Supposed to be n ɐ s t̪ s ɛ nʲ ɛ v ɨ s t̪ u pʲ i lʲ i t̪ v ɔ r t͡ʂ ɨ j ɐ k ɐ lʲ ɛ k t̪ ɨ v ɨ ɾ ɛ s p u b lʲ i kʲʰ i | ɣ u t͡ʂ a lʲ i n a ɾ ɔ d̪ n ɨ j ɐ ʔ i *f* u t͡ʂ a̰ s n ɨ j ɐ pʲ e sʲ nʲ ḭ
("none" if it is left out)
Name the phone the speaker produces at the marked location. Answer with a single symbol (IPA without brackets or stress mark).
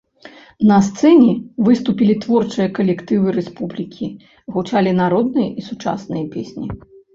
s